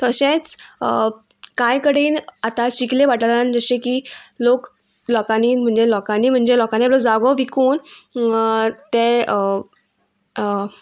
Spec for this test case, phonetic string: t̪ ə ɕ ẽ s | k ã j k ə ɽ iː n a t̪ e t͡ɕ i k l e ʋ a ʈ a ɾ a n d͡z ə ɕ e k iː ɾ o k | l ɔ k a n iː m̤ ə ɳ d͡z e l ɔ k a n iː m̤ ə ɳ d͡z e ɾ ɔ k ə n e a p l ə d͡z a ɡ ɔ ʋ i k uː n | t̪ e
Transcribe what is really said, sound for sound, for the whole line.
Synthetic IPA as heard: t̪ ə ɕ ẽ t͡s | k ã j k ə ɽ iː n a t̪ a t͡ɕ i k l e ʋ a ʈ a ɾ a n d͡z ə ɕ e k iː l o k | l ɔ k a n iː m̤ ə ɳ d͡z e l ɔ k a n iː m̤ ə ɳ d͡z e l ɔ k a n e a p l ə d͡z a ɡ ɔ ʋ i k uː n | t̪ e

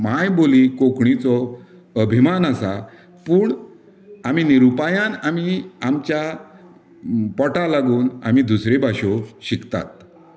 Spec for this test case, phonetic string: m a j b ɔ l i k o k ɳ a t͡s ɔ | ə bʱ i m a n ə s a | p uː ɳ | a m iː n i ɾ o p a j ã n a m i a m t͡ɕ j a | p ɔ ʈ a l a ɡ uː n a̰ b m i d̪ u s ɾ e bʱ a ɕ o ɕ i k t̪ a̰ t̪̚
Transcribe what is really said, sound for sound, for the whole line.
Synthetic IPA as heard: m a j b o l i k o k ɳ i t͡s ɔ | ə bʱ i m a n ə s a | p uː ɳ | a m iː n i ɾ u p a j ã n a m i a m t͡ɕ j a | p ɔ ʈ a l a ɡ uː n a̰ m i d̪ u s ɾ e bʱ a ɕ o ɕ i k t̪ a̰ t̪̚

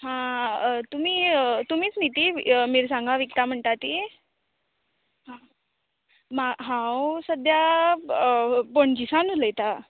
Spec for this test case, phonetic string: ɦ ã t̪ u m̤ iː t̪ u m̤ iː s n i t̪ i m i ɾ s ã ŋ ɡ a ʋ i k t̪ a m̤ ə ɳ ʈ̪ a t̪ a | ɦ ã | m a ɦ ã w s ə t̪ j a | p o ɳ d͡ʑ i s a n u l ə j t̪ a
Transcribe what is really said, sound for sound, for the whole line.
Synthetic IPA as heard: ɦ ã t̪ u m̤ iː t̪ u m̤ iː t͡s n i t̪ i m i ɾ s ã ŋ ɡ a ʋ i k t̪ a m̤ ə ɳ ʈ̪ a t̪ i | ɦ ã | m a ɦ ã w s ə d̪ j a | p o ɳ d͡ʑ i s a n u l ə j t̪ a

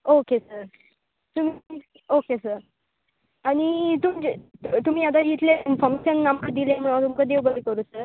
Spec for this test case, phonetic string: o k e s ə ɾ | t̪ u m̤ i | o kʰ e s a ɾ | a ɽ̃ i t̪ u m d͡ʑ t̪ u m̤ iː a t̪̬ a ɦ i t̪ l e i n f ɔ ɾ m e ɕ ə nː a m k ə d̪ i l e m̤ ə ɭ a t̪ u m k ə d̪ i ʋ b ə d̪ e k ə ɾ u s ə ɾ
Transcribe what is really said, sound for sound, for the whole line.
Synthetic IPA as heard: o k e s ə ɾ | t̪ u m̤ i | o k e s ə ɾ | a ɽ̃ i t̪ u m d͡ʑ t̪ u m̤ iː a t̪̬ a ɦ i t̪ l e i n f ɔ ɾ m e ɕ ə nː a m k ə d̪ i l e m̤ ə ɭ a t̪ u m k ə d̪ e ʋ b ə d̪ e k ə ɾ u s ə ɾ

